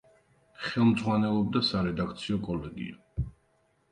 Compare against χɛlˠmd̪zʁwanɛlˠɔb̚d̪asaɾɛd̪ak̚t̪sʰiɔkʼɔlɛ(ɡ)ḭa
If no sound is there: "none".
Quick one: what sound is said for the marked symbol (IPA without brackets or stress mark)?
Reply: ɡ